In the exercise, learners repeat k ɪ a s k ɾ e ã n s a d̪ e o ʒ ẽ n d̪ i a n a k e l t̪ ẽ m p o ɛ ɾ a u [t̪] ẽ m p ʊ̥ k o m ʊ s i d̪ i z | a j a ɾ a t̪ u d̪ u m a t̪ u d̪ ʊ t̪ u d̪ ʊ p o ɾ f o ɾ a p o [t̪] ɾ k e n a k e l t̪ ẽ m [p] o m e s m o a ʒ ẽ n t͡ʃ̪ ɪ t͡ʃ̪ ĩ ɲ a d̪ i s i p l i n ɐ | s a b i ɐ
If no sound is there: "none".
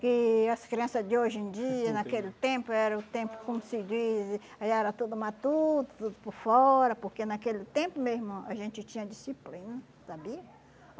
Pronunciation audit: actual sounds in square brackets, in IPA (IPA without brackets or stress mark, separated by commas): t̪, none, p